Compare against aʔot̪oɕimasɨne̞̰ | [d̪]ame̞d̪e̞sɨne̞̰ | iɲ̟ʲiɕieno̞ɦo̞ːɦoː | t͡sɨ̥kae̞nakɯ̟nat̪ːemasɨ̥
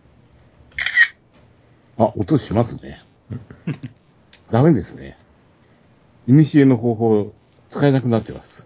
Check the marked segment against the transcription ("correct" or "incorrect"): correct